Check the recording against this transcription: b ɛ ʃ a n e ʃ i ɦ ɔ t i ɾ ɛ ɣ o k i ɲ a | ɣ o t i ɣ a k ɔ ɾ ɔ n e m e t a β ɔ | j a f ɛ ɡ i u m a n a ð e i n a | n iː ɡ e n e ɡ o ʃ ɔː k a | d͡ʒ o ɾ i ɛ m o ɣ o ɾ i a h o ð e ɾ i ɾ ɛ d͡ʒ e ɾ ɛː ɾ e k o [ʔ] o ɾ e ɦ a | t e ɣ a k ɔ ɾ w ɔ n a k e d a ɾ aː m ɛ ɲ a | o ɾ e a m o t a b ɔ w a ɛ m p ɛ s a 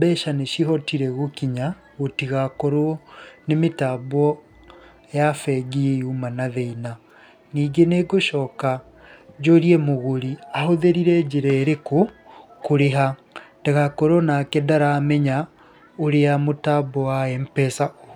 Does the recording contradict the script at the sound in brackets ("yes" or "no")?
yes